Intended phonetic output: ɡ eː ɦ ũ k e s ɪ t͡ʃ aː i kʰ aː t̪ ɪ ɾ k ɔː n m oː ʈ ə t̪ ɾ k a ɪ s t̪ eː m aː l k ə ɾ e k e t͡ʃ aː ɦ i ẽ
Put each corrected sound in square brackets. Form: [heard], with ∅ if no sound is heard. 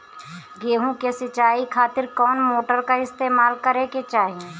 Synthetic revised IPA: ɡ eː ɦ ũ k e s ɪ t͡ʃ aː i kʰ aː t̪ ɪ ɾ k ɔː n m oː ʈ ə [∅] ɾ k a ɪ s t̪ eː m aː l k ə ɾ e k e t͡ʃ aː ɦ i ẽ